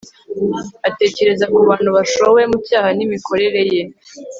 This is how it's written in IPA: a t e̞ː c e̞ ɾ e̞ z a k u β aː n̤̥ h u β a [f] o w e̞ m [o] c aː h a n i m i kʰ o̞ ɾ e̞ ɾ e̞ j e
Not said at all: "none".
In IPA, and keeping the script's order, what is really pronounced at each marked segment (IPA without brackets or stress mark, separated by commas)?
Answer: ʃ, u